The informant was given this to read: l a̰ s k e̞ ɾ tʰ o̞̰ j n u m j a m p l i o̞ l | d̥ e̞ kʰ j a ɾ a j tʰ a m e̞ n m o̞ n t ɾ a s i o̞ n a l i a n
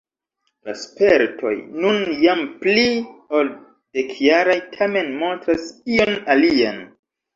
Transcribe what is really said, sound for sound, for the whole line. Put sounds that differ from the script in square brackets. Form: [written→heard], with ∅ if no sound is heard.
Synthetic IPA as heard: l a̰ s [k→p] e̞ ɾ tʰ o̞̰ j n u [m→n] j a m p l i o̞ l | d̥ e̞ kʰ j a ɾ a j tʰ a m e̞ n m o̞ n t ɾ a s i o̞ n a l i a n